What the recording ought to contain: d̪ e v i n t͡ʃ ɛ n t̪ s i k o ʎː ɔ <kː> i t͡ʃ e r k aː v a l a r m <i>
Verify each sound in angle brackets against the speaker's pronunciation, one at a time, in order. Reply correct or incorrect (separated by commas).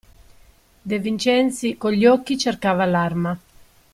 correct, incorrect